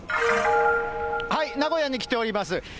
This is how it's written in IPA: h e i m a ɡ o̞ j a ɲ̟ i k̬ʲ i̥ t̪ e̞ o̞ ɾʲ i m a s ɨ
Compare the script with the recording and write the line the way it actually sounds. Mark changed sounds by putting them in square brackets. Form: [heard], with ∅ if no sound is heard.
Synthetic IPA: h [a] i [n] a ɡ o̞ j a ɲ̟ i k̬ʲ i̥ t̪ e̞ o̞ ɾʲ i m a s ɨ